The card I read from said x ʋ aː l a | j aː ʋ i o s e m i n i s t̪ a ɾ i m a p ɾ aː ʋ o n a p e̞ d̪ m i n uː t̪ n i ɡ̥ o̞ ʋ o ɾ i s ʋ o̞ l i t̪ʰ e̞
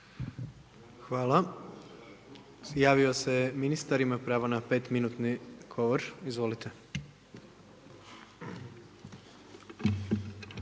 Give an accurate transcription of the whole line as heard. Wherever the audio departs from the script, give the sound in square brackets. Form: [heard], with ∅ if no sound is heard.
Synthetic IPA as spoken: x ʋ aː l a | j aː ʋ i o s e m i n i s t̪ a ɾ i m a p ɾ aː ʋ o n a p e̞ [t̪] m i n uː t̪ n i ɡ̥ o̞ ʋ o ɾ i [z] ʋ o̞ l i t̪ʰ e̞